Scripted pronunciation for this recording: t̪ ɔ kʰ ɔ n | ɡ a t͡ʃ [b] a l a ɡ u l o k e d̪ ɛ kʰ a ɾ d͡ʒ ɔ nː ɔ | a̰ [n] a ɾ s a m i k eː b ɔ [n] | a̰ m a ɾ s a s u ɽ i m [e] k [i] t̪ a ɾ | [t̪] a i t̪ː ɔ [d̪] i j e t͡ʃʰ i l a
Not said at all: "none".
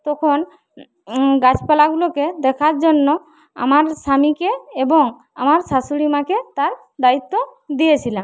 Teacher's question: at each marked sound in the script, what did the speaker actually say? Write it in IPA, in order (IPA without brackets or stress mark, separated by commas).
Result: p, m, ŋ, a, e, d̪, d̪